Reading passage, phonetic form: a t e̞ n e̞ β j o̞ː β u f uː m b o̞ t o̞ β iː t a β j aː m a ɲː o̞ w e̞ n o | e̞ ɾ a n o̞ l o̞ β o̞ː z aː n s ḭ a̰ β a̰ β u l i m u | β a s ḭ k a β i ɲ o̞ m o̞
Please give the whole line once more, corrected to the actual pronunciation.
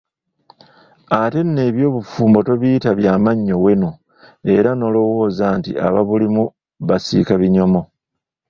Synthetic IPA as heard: a t e̞ n e̞ β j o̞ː β u f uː m b o̞ t o̞ β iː t a β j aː m a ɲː o̞ w e̞ n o | e̞ ɾ a n o̞ l o̞ w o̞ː z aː n t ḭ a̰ β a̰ β u l i m u | β a s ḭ k a β i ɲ o̞ m o̞